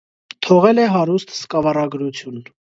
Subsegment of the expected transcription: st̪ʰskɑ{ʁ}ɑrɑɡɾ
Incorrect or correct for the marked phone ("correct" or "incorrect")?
incorrect